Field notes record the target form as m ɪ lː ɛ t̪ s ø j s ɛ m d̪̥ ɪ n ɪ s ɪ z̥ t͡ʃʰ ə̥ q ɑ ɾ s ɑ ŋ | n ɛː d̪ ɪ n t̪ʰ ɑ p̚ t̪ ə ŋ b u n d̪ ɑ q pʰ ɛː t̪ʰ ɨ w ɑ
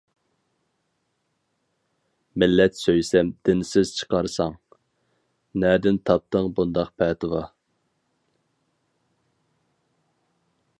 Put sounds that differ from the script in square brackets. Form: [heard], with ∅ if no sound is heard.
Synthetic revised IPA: m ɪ lː ɛ t̪ s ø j s ɛ m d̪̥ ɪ n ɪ s ɪ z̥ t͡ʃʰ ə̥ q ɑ ɾ s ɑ ŋ | n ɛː d̪ ɪ n t̪ʰ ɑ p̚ t̪ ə ŋ b u n d̪ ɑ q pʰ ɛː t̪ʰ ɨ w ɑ